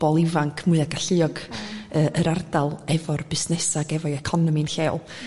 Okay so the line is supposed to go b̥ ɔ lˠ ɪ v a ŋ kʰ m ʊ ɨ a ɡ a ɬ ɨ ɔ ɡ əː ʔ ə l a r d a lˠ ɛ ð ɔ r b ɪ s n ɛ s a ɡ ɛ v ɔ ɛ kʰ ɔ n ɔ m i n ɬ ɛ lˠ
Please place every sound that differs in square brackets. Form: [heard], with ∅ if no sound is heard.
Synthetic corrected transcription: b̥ ɔ lˠ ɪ v a ŋ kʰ m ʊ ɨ a ɡ a ɬ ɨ ɔ ɡ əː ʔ ə [ɾ] a r d a lˠ ɛ [v] ɔ r b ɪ s n ɛ s a ɡ ɛ v ɔ ɛ kʰ ɔ n ɔ m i n ɬ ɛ lˠ